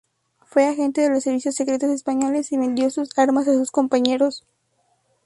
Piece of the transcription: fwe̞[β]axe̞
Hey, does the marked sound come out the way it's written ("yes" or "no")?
no